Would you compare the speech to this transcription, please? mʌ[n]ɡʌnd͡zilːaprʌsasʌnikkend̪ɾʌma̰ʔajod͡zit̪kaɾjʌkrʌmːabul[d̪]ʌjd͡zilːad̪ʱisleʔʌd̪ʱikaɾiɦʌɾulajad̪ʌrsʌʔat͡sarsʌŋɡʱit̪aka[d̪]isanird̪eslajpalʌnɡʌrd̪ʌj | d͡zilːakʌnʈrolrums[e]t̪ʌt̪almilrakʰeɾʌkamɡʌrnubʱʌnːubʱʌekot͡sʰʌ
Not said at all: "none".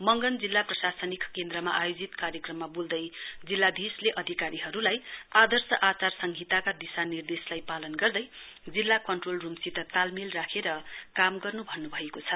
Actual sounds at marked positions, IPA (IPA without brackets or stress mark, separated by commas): ŋ, d̪, d̪, i